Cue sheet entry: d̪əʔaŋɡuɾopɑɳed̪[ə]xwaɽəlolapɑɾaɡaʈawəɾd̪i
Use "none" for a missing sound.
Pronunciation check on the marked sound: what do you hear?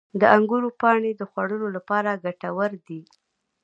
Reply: ə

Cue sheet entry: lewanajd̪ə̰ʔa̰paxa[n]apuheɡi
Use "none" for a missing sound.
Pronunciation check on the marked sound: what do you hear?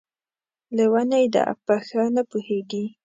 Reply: n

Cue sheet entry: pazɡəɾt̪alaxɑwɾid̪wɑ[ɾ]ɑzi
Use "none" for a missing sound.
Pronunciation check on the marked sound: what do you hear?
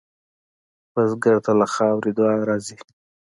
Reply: ɾ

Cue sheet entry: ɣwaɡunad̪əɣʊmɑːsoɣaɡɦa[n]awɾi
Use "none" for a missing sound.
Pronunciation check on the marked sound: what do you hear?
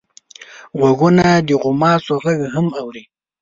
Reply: m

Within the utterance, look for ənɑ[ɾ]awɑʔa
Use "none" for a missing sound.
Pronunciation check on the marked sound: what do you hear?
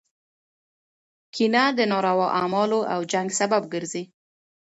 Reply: ɾ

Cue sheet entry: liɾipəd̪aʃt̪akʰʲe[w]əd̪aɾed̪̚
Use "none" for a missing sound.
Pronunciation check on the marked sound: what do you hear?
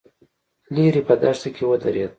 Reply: w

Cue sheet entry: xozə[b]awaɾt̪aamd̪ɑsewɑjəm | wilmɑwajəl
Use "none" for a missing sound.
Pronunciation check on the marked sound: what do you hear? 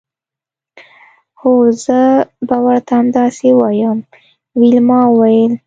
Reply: b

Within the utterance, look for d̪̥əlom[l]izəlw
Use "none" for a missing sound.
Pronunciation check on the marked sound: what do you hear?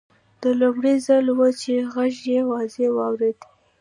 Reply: ɽ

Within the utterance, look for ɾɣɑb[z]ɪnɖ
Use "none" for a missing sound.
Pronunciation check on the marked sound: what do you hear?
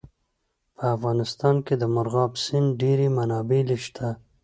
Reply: s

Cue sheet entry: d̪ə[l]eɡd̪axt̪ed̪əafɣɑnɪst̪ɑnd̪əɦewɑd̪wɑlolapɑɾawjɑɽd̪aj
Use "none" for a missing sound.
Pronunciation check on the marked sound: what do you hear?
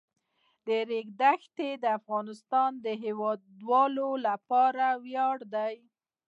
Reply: ɾ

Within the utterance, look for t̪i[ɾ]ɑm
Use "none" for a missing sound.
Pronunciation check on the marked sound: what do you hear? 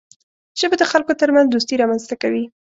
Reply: ɾ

